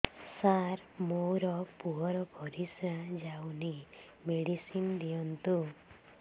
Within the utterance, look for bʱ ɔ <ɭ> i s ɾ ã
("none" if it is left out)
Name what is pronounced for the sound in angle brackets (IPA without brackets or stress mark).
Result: ɾ